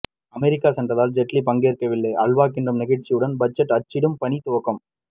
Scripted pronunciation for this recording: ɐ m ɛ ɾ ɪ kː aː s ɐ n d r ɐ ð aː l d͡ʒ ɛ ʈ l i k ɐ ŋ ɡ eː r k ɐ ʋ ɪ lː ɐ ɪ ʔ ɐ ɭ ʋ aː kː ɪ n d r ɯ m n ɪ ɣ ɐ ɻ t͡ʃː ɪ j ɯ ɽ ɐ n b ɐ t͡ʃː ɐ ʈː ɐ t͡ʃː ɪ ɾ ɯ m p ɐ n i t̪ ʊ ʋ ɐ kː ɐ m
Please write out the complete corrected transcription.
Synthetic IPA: ɐ m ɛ ɾ ɪ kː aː s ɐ n d r ɐ ð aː l d͡ʒ ɛ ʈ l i p ɐ ŋ ɡ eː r k ɐ ʋ ɪ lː ɐ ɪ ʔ ɐ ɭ ʋ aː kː ɪ n d r ɯ m n ɪ ɣ ɐ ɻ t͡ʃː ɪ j ɯ ɽ ɐ n b ɐ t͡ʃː ɐ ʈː ɐ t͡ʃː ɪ ɽ ɯ m p ɐ n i t̪ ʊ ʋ ɐ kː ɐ m